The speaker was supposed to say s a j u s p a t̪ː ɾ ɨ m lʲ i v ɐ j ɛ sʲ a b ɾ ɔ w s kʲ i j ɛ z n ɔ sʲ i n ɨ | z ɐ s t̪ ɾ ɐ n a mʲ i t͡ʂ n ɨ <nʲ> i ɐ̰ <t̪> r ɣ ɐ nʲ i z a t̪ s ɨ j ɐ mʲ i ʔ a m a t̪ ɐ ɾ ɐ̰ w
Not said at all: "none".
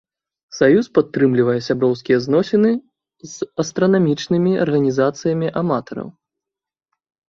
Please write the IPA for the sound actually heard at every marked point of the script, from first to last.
mʲ, none

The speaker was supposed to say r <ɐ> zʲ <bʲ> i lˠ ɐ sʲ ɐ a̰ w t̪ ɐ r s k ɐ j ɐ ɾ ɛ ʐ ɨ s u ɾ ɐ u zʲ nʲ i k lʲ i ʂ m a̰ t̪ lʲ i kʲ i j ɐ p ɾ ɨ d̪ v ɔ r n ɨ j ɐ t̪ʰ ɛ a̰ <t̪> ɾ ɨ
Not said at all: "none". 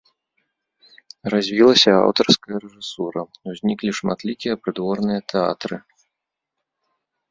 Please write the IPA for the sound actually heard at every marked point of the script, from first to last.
a, vʲ, t̪

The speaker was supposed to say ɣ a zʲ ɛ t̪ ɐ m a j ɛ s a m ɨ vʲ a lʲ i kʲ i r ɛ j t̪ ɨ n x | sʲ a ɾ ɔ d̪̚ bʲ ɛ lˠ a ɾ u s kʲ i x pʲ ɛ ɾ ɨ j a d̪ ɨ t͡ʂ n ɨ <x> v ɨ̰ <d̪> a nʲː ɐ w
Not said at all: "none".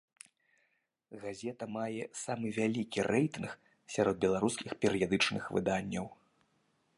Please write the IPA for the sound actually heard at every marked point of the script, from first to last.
x, d̪

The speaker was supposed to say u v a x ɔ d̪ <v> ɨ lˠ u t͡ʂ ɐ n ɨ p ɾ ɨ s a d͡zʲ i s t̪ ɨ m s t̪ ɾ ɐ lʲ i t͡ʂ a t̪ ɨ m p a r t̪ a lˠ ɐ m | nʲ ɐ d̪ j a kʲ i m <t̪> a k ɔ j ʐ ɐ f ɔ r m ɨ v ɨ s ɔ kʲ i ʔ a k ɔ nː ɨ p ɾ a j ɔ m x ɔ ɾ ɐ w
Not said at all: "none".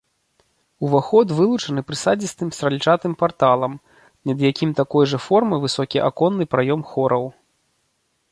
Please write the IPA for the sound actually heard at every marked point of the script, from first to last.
v, t̪

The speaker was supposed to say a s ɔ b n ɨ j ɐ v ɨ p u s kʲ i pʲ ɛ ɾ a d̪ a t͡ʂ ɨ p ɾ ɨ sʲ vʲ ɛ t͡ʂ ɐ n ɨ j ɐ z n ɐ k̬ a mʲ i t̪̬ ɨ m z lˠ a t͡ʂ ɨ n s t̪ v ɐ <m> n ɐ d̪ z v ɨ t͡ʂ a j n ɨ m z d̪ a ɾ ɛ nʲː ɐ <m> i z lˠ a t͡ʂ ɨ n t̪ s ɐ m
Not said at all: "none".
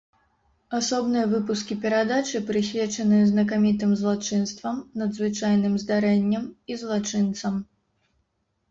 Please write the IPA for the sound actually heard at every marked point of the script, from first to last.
m, m

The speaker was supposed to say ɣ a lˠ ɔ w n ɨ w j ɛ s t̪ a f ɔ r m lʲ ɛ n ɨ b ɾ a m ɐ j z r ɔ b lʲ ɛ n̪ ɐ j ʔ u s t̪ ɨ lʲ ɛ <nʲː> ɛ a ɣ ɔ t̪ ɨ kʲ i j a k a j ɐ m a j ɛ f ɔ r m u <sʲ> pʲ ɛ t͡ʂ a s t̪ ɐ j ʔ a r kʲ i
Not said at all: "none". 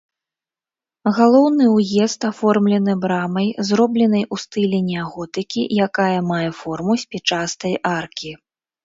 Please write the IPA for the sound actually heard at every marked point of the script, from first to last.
nʲ, sʲ

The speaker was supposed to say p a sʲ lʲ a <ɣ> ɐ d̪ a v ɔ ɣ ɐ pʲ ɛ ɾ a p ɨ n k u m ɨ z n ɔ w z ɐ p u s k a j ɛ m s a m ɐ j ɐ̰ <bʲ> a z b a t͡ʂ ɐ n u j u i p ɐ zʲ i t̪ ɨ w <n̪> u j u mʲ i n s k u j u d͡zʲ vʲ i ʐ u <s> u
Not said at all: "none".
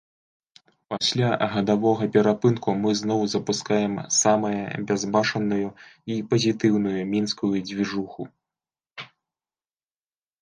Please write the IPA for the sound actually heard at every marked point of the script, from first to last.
ɣ, bʲ, n̪, x

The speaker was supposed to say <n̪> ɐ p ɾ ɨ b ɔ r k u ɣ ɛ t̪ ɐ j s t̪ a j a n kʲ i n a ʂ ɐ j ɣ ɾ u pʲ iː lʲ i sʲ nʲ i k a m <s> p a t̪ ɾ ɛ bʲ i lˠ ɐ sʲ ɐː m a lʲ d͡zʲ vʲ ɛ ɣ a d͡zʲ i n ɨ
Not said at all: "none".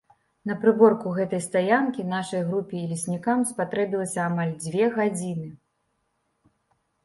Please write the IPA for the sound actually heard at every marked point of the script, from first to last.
n̪, s

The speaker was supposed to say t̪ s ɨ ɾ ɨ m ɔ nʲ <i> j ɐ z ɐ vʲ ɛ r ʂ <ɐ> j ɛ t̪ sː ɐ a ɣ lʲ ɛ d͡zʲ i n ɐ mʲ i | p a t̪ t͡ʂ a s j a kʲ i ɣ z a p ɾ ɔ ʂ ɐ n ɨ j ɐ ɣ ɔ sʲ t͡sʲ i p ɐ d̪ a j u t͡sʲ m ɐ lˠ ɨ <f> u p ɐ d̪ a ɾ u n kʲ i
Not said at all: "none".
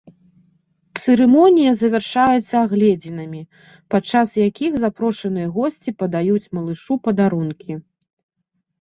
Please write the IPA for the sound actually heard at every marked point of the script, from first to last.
i, a, ʂ

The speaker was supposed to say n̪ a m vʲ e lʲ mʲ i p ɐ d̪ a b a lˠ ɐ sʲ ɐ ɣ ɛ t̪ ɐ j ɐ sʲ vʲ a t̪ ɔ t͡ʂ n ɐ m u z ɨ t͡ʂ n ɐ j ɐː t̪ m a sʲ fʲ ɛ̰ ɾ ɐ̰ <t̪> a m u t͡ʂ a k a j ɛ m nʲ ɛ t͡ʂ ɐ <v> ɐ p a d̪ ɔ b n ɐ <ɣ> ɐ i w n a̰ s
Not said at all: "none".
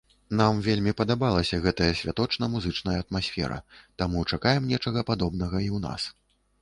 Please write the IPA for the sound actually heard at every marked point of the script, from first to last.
t̪, ɣ, ɣ

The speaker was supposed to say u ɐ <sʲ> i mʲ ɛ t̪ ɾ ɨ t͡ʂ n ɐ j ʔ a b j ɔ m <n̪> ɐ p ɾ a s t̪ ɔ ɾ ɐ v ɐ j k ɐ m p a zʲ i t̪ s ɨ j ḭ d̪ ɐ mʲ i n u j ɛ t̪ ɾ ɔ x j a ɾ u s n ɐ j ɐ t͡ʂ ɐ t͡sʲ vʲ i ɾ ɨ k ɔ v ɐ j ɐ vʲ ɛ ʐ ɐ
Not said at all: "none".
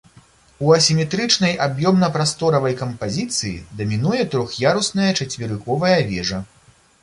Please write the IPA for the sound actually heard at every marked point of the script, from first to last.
sʲ, n̪

